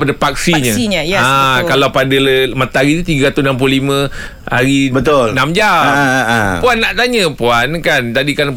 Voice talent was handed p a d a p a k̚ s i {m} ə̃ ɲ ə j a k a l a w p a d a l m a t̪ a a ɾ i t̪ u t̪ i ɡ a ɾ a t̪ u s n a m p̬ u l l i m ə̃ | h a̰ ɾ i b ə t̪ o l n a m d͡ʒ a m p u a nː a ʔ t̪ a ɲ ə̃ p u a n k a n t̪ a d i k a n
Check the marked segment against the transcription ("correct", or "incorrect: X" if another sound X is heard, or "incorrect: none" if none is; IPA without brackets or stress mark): incorrect: ɲ